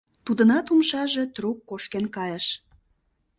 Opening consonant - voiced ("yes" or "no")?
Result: no